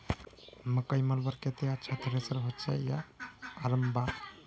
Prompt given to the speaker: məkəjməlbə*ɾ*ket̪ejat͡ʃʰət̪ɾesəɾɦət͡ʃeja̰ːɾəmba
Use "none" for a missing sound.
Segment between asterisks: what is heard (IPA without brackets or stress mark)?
ɾ